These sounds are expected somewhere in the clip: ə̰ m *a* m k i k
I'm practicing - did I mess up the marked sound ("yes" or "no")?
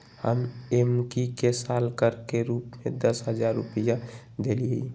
yes